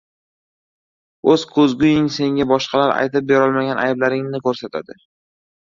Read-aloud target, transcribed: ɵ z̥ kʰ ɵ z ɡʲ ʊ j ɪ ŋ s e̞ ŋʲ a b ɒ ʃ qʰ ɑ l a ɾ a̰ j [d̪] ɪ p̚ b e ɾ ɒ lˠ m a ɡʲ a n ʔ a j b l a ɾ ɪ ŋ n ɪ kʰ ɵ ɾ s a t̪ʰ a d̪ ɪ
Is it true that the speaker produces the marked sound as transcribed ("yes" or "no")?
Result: no